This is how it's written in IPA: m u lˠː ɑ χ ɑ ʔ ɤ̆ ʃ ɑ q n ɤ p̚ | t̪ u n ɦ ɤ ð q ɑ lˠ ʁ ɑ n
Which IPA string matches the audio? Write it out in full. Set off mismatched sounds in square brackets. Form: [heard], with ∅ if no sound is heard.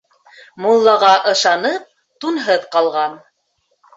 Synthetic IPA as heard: m u lˠː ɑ [ʁ] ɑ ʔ ɤ̆ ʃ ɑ [∅] n ɤ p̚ | t̪ u n ɦ ɤ ð q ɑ lˠ ʁ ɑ n